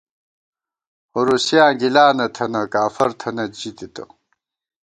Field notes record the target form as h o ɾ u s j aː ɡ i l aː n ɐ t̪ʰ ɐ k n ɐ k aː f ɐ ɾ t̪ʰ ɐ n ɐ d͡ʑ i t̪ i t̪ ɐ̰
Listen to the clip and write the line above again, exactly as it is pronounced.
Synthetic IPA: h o ɾ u s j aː ɡ i l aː n ɐ t̪ʰ ɐ n ɐ k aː f ɐ ɾ t̪ʰ ɐ n ɐ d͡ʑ i t̪ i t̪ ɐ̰